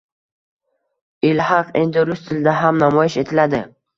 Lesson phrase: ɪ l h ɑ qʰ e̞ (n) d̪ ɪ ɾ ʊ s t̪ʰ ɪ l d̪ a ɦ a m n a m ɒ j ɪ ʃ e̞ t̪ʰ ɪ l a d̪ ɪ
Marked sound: correct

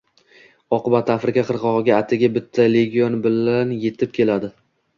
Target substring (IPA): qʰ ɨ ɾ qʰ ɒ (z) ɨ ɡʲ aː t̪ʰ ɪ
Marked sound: incorrect: ʁ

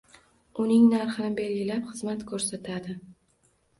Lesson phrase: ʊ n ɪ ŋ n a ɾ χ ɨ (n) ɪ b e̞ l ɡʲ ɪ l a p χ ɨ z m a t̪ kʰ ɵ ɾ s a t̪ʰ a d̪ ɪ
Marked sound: correct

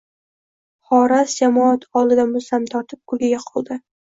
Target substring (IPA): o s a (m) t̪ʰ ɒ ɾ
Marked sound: correct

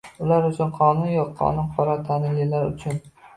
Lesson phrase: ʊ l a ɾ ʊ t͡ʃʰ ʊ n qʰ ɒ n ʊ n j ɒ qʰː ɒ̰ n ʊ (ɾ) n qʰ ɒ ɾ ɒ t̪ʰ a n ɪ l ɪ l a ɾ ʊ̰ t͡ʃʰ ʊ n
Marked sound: incorrect: none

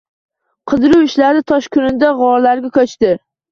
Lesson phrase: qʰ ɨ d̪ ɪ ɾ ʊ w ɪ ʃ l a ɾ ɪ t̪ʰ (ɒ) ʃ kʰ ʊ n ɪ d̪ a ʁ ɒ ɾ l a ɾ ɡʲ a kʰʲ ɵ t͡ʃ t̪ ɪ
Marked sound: correct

